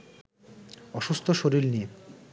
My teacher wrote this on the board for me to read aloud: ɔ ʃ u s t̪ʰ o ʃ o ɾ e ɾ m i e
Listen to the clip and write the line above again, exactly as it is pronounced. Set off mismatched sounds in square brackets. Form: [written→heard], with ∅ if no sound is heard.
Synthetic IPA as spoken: ɔ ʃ u s t̪ʰ o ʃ o ɾ [e→i] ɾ [m→n] i e